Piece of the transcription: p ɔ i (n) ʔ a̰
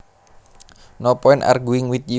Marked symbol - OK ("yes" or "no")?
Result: yes